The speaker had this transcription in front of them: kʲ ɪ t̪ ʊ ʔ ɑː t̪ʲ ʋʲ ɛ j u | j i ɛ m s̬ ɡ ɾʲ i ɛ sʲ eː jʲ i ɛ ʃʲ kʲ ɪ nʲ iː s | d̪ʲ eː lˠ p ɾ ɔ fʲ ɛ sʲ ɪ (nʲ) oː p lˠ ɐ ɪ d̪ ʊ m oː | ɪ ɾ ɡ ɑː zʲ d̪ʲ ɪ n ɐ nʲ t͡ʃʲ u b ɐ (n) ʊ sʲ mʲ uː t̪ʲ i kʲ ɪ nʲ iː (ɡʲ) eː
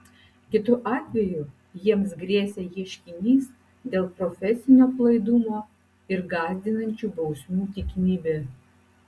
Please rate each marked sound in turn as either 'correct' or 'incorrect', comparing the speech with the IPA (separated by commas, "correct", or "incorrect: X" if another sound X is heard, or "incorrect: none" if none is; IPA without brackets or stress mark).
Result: correct, incorrect: none, incorrect: bʲ